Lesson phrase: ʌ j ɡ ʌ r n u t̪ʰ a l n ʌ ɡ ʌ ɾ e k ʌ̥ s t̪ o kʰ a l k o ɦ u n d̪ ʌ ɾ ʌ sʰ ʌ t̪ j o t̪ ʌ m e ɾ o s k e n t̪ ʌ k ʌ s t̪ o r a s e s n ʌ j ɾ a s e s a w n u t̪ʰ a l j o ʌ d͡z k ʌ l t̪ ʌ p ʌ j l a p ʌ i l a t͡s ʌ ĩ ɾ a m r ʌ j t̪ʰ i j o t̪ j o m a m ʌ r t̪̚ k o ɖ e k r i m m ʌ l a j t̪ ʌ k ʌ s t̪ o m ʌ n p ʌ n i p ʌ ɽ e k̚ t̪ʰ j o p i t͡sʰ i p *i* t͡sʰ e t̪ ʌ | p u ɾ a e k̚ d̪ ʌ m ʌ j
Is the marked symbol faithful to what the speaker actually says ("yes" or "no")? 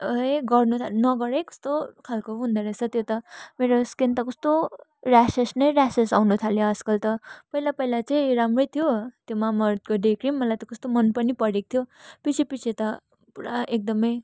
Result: yes